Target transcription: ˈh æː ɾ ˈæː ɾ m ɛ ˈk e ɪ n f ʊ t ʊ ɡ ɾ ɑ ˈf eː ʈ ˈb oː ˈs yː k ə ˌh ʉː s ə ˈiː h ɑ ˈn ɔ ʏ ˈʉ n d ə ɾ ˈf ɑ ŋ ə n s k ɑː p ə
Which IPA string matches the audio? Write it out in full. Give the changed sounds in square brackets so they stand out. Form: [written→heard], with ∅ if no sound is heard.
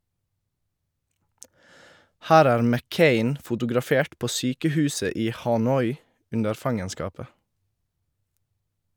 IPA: ˈh æː ɾ ˈæː ɾ m ɛ ˈk e ɪ n f ʊ t ʊ ɡ ɾ ɑ ˈf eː ʈ [ˈb→ˈp] oː ˈs yː k ə ˌh ʉː s ə ˈiː h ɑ ˈn ɔ ʏ ˈʉ n d ə ɾ ˈf ɑ ŋ ə n s k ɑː p ə